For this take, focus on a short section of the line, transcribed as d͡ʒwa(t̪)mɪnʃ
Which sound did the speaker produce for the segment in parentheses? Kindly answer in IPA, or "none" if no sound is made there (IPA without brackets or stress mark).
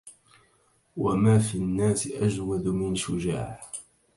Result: d̪